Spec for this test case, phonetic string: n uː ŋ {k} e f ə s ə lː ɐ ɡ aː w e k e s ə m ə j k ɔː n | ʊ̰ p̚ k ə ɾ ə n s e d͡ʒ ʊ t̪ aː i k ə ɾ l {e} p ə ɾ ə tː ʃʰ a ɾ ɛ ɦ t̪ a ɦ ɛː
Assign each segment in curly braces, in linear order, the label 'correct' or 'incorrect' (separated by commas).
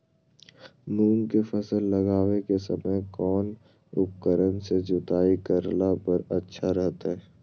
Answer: correct, incorrect